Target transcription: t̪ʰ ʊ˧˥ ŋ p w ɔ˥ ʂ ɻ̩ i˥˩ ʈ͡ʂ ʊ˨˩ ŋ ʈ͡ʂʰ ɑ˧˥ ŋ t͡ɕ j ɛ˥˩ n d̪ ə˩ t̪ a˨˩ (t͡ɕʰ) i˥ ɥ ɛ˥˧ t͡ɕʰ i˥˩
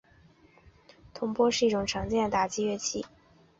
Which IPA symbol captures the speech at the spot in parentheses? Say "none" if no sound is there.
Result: t͡ɕ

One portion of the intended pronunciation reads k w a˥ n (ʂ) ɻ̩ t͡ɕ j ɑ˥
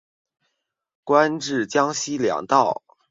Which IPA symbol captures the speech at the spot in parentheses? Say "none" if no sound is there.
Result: ʈ͡ʂ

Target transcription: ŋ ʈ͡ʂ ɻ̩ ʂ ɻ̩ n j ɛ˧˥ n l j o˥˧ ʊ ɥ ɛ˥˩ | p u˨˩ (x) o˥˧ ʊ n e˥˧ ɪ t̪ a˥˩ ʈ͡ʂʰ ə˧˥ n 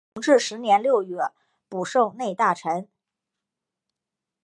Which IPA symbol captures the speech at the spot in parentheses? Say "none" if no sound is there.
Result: ʂ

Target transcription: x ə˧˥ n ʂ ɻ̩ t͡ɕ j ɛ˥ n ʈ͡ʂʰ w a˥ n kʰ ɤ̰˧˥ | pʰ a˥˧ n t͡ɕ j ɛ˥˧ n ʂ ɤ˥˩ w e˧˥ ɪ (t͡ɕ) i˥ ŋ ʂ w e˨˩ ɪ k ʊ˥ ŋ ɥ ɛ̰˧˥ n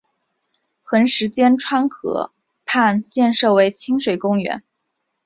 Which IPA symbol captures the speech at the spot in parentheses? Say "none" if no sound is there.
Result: t͡ɕʰ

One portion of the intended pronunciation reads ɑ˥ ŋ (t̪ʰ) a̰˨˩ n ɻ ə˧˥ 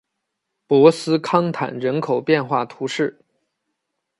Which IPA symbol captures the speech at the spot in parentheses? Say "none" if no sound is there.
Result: t̪ʰ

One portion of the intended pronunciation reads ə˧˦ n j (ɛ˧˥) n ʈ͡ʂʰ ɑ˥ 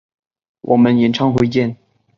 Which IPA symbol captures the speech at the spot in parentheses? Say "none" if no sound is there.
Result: ɛ˨˩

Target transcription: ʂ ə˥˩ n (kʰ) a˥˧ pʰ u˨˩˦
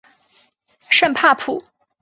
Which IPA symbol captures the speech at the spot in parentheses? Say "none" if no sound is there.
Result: pʰ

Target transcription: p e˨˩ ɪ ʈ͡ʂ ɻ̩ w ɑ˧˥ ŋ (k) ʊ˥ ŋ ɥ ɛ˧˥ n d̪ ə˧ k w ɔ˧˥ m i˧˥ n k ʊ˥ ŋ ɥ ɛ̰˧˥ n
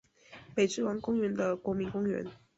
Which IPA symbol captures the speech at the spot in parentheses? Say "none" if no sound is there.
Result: k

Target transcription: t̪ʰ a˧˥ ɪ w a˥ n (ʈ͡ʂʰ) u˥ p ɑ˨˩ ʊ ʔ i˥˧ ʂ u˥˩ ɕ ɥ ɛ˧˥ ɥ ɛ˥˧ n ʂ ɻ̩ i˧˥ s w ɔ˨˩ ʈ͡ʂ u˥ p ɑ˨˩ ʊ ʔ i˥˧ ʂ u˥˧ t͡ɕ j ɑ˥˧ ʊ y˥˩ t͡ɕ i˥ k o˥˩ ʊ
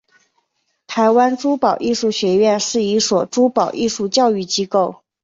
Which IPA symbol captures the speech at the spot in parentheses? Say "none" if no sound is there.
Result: ʈ͡ʂ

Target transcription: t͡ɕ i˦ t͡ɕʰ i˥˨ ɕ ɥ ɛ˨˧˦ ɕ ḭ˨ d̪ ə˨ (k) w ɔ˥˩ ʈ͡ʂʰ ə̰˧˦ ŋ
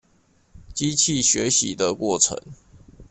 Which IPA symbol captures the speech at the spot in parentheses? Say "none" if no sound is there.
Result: k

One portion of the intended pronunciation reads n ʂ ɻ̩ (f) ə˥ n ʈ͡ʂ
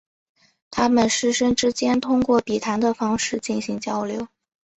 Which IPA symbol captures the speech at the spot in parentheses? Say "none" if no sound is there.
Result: ʂ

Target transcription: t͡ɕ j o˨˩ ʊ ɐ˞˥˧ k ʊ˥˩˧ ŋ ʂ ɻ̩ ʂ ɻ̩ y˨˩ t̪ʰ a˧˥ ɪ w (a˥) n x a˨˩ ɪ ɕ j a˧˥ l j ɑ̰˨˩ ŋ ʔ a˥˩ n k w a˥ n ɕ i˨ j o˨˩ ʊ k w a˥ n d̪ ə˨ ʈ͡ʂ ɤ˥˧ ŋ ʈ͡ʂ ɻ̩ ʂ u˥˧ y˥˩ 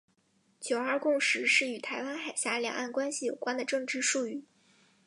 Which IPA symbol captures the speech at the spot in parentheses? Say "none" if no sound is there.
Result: a˥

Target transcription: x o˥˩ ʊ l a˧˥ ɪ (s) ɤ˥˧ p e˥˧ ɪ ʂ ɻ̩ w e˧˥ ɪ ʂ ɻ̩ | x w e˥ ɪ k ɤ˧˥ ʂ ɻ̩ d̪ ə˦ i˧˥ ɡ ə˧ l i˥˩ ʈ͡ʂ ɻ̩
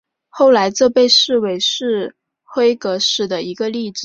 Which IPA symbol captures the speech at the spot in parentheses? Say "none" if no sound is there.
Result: t͡s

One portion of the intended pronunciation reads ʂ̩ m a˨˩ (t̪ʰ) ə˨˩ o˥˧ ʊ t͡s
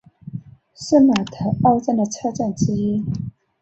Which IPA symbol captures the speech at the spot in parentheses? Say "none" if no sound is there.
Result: t̪ʰ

